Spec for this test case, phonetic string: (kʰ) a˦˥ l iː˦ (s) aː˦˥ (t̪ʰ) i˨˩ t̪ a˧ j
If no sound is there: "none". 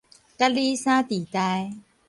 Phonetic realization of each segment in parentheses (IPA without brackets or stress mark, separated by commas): k, s, t̪